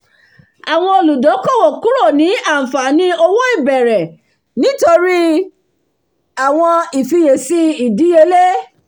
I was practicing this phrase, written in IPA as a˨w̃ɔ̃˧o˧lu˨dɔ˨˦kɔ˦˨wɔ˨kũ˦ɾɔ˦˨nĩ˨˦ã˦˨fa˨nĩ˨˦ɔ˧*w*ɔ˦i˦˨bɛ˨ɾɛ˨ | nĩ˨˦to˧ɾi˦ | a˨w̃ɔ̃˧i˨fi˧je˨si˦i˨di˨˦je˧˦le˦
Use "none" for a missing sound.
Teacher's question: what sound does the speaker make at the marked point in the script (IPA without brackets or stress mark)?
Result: w